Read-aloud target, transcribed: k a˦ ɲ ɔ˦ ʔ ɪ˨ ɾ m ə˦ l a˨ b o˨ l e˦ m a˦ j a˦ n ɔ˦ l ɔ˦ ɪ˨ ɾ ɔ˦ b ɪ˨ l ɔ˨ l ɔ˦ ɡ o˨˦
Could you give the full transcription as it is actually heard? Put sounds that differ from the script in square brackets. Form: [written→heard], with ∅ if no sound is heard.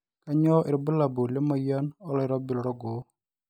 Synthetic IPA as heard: k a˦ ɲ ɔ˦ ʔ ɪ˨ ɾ [m→b] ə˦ l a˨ b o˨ l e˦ m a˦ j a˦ n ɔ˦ l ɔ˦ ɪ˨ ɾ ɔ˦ b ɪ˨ l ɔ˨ [l→ɾ] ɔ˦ ɡ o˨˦

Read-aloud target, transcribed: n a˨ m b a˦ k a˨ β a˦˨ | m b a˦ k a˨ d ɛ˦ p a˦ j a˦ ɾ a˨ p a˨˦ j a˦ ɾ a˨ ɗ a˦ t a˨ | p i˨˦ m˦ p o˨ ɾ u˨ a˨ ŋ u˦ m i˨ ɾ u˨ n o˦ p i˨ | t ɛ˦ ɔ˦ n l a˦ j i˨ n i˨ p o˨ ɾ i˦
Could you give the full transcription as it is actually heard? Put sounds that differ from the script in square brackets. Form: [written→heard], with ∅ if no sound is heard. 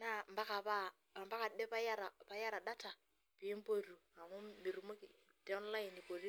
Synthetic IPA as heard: n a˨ m b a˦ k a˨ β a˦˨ | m b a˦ k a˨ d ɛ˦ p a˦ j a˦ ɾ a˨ p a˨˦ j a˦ ɾ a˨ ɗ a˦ t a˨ | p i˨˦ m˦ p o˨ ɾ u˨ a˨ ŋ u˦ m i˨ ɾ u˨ [n→m] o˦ [p→k] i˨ | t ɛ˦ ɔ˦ n l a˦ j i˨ n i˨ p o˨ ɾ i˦

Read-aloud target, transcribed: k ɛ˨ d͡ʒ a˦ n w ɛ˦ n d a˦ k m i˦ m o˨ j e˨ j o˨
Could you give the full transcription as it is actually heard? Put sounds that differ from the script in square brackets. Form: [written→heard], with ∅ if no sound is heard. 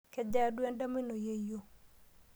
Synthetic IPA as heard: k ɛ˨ d͡ʒ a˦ [n→d] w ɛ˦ n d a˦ [k→∅] m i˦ [m→n] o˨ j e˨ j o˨

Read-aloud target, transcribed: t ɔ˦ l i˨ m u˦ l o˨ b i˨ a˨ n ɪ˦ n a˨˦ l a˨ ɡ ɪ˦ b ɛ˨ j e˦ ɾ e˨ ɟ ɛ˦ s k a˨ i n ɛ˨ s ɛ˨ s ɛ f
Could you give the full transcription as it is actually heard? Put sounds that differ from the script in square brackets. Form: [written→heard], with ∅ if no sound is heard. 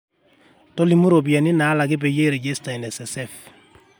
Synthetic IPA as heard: t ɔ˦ l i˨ m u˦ [l→ɾ] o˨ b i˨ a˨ n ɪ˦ n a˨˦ l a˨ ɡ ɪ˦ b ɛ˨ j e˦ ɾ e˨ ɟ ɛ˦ s [k→t] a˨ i n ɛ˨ s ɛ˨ s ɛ f

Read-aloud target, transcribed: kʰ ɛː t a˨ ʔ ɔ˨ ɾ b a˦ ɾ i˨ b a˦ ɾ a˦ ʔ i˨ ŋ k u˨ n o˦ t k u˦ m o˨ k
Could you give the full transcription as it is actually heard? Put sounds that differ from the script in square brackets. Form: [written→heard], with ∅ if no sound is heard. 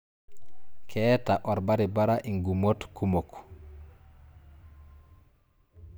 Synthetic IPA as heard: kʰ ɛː t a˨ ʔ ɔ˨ ɾ b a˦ ɾ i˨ b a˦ ɾ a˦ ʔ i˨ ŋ [k→ɡ] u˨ [n→m] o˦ t k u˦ m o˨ k

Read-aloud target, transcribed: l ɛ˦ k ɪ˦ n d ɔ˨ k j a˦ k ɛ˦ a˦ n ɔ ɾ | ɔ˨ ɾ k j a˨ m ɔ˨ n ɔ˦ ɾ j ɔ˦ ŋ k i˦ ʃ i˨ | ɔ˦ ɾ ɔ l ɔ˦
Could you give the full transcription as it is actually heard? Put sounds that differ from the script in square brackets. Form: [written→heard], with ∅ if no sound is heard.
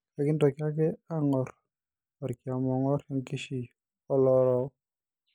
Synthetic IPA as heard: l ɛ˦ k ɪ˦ n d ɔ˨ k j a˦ k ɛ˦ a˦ [n→ŋ] ɔ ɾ | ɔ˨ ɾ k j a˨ m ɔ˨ [n→ŋ] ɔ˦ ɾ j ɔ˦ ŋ k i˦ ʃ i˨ | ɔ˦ [ɾ→l] ɔ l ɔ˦

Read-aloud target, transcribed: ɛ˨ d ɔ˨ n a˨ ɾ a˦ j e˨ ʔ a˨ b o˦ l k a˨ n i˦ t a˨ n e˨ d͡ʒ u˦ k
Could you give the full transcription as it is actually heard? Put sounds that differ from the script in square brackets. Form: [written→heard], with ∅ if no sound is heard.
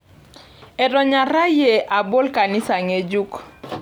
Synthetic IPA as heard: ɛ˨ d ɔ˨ [n→ɲ] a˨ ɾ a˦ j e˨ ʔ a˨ b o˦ l k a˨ n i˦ [t→s] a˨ [n→ŋ] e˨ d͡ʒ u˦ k

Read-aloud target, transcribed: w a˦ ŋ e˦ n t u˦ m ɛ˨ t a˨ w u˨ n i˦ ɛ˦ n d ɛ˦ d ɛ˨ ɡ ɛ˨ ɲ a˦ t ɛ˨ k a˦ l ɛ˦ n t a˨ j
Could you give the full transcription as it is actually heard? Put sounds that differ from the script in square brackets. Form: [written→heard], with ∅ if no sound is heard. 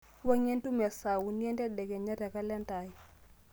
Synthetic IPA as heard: w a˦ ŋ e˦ n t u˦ m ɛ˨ [t→s] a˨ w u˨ n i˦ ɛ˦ n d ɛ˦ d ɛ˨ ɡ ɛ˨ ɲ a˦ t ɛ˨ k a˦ l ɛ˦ n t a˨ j

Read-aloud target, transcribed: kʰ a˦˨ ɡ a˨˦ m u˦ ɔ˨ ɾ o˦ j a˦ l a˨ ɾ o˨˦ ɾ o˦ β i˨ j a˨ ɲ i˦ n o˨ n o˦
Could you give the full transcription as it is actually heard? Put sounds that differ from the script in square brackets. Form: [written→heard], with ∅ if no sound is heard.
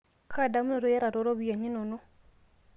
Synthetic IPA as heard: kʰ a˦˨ [ɡ→d] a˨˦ m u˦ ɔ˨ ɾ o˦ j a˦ [l→ɾ] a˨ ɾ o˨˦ ɾ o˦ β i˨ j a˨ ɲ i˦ n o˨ n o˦

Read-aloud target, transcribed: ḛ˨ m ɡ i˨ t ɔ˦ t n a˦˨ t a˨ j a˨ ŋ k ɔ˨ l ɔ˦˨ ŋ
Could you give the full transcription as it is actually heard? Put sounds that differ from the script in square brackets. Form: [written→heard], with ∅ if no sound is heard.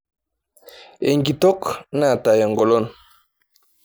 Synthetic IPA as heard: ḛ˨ [m→ŋ] ɡ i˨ t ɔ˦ [t→k] n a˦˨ t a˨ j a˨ ŋ [k→ɡ] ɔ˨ l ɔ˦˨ [ŋ→n]

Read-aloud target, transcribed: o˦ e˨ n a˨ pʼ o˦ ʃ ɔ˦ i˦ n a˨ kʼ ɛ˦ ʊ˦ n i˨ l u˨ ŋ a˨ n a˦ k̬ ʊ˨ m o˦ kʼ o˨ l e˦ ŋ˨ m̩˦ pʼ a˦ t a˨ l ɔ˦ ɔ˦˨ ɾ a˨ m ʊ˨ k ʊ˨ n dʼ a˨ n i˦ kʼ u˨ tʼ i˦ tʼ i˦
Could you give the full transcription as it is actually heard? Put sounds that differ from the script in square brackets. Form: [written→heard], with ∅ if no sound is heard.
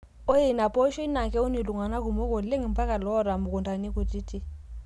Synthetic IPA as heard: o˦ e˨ n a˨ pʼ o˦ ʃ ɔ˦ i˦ n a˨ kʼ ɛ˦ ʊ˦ n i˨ l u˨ ŋ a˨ n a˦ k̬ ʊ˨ m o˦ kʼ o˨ l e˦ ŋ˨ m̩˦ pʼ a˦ [t→k] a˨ l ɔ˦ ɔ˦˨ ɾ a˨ m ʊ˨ k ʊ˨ n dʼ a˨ n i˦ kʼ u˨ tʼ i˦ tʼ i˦

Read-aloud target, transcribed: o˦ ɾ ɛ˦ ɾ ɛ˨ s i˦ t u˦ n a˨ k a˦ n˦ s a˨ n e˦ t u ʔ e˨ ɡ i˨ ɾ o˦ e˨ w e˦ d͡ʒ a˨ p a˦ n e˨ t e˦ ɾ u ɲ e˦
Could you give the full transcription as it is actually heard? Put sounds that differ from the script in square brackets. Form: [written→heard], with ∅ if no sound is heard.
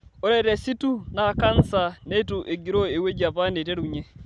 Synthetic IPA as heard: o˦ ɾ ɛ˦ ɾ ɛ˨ s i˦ t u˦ n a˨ k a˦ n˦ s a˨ n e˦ t u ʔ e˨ ɡ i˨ ɾ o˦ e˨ w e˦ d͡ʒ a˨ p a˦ n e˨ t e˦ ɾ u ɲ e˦

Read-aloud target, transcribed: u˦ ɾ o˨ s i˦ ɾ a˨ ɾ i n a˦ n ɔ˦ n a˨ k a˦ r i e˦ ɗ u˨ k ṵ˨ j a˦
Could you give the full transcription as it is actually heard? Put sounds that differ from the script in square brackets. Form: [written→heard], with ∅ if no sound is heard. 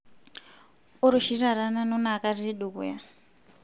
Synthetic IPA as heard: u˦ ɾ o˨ [s→ʃ] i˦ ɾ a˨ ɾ [i→a] n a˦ n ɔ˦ n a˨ k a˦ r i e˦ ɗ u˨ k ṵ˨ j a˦

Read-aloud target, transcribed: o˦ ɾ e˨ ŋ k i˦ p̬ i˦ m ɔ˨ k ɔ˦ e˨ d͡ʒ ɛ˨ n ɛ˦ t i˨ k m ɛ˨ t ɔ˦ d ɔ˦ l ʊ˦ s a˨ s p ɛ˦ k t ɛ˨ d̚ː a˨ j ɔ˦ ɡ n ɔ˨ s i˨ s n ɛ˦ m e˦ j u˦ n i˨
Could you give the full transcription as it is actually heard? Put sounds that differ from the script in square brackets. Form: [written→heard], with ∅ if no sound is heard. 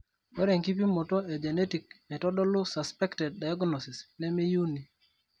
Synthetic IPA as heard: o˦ ɾ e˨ ŋ k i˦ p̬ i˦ m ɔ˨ [k→t] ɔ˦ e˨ d͡ʒ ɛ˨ n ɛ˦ t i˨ k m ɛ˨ t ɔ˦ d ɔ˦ l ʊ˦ s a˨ s p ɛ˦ k t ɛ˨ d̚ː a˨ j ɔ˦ ɡ n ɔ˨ s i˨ s n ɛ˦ m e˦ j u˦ n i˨

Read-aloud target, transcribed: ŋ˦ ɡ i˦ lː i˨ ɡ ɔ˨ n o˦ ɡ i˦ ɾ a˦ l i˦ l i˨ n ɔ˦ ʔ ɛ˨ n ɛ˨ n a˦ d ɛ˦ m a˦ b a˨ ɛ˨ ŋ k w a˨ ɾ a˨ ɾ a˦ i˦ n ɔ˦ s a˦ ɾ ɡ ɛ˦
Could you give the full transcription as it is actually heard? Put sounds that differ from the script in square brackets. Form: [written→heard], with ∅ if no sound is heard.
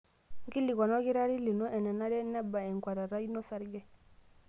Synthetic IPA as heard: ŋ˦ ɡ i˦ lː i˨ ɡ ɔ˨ n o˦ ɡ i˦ ɾ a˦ [l→ɾ] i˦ l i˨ n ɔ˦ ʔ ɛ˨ n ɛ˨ n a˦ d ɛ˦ [m→n] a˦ b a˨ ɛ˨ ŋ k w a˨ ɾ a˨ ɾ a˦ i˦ n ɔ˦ s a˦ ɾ ɡ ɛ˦

